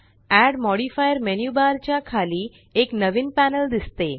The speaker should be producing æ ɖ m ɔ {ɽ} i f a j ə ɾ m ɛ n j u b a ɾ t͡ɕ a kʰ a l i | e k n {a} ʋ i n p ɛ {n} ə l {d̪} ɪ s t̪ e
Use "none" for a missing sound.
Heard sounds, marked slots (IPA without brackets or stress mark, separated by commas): ɽ, ə, n, d̪